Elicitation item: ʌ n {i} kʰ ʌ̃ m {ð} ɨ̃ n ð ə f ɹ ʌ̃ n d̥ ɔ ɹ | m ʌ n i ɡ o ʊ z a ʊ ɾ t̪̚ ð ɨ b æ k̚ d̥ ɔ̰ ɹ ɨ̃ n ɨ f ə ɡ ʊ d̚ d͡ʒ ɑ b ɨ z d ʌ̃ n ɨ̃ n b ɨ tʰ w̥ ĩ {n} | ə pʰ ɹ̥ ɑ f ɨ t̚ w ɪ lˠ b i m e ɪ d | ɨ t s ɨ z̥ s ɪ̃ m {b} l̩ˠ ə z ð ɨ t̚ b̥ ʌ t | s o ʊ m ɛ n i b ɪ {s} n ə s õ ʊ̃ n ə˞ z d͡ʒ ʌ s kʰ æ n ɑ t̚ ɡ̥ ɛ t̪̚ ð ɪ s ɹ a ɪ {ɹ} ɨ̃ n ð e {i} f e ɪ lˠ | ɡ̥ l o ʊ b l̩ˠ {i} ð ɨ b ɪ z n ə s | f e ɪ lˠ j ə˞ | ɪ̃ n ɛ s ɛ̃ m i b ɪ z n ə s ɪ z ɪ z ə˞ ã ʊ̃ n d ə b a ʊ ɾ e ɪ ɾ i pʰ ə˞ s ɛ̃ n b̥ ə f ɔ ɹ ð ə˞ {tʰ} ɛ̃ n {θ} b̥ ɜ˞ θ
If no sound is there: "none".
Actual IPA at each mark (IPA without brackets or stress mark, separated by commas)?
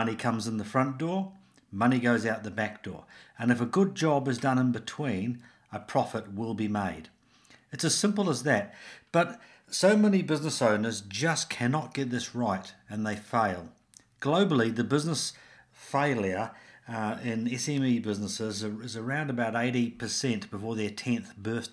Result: i, z, n, p, z, ɾ, ɪ, i, tʰ, θ